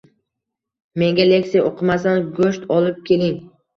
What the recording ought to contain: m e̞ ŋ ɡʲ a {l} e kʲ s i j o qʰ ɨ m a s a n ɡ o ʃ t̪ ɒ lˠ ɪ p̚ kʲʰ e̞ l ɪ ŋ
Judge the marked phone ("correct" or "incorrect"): correct